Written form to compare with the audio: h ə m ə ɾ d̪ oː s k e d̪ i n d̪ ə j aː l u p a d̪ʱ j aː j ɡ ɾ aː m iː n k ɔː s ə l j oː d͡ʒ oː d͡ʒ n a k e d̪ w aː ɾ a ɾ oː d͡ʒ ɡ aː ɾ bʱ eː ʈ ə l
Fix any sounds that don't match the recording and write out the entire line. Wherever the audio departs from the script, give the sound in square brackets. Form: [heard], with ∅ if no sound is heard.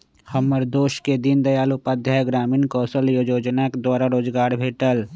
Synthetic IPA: h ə m ə ɾ d̪ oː [ʃ] k e d̪ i n d̪ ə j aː l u p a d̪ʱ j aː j ɡ ɾ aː m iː n k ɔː s ə l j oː d͡ʒ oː d͡ʒ n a k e d̪ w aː ɾ a ɾ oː d͡ʒ ɡ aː ɾ bʱ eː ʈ ə l